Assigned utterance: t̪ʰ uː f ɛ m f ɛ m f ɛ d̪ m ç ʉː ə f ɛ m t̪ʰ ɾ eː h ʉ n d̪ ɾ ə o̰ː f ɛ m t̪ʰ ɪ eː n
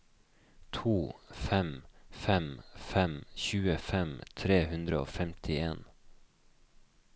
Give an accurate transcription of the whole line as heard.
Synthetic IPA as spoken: t̪ʰ uː f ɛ m f ɛ m f ɛ m ç ʉː ə f ɛ m t̪ʰ ɾ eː h ʉ n d̪ ɾ ə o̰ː f ɛ m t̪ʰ ɪ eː n